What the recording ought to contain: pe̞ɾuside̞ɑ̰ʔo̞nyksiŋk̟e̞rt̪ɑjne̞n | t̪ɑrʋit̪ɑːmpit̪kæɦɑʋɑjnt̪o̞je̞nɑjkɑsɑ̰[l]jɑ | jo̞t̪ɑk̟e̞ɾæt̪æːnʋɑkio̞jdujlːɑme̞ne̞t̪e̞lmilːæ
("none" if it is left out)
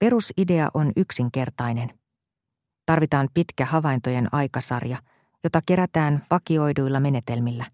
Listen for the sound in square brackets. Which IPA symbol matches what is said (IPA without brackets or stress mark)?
r